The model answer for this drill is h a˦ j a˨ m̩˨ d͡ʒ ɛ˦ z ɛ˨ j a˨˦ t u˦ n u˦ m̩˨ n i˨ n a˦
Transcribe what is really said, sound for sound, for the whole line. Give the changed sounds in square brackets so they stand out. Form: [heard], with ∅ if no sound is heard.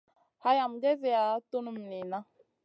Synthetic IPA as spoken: h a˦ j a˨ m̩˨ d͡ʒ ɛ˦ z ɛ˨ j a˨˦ t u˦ n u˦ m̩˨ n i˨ n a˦